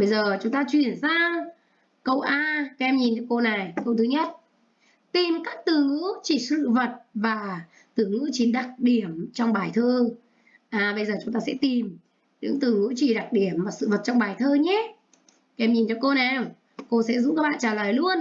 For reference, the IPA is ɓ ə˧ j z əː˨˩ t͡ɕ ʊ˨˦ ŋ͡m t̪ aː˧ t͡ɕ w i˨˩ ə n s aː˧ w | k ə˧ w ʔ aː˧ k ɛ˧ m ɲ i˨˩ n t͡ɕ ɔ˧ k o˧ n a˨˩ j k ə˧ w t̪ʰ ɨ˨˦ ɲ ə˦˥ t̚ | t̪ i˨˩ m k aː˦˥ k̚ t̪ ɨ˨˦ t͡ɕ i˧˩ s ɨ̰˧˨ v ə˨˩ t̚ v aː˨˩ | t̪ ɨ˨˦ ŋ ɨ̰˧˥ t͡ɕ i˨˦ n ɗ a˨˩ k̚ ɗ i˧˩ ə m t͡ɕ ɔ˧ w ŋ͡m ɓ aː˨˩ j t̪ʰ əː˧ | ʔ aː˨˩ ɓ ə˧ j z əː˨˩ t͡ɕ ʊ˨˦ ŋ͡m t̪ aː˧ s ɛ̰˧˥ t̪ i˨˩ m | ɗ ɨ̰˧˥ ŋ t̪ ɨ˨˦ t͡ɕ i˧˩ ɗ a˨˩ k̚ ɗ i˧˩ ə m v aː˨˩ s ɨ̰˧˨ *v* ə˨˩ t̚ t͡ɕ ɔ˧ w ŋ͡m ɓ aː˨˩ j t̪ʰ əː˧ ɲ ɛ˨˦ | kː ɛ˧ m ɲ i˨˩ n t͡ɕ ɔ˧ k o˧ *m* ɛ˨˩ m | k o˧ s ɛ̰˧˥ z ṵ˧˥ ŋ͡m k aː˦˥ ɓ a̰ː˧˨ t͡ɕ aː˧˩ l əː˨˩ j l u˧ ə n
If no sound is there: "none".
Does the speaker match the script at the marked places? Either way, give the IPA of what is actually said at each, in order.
v, n

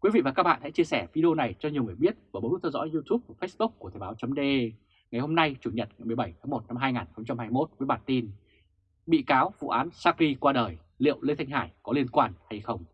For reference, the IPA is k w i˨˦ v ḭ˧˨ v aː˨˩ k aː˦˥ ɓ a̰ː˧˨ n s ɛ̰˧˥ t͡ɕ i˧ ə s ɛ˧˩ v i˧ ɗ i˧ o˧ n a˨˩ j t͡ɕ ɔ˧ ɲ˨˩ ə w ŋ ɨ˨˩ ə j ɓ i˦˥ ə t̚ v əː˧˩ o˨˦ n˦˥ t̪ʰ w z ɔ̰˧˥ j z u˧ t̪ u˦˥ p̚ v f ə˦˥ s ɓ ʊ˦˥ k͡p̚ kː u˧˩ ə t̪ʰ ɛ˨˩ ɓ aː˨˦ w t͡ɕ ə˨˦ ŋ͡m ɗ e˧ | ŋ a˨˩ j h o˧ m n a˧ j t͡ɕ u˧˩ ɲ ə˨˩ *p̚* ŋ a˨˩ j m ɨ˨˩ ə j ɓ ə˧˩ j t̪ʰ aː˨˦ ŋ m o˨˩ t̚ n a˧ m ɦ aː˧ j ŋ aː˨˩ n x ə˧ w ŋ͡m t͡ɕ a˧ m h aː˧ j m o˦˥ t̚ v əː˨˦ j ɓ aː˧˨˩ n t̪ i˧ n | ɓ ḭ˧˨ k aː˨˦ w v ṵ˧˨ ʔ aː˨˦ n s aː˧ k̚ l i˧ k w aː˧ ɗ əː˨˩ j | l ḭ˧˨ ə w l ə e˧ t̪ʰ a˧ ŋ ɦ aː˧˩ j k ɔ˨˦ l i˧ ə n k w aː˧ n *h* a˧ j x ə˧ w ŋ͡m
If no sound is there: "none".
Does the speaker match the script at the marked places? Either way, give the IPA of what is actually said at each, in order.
t̚, h

